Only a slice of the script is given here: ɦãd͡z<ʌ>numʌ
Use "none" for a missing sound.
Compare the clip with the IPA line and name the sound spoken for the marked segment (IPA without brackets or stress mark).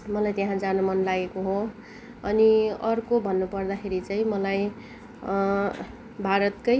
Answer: a